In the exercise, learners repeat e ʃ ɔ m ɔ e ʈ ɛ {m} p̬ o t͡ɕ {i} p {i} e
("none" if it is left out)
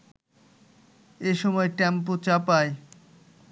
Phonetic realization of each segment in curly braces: m, a, a

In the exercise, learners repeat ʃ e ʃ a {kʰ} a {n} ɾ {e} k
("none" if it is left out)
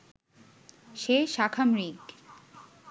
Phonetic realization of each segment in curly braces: kʰ, m, i

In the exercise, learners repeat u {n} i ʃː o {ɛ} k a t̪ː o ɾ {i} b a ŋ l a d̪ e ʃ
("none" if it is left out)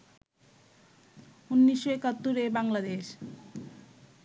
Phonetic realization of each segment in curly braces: nː, e, e

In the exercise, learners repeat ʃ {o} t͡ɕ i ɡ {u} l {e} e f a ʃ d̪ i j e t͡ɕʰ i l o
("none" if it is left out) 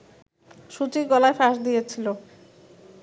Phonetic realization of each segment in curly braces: u, ɔ, a

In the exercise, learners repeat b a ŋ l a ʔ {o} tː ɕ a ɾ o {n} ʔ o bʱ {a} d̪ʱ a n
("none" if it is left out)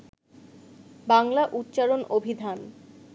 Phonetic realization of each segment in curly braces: u, n, i

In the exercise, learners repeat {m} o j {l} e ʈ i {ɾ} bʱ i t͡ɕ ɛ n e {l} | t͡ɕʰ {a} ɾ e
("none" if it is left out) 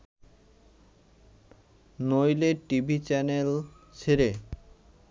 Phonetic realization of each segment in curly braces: n, l, none, l, e

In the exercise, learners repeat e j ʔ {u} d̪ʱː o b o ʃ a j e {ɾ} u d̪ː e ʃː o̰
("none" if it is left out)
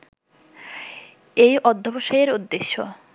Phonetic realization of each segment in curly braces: ɔ, ɾ

